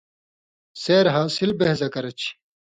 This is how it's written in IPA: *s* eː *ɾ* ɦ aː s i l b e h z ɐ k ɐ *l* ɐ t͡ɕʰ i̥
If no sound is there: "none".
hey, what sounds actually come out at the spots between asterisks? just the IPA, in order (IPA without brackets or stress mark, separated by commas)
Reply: s, ɾ, ɾ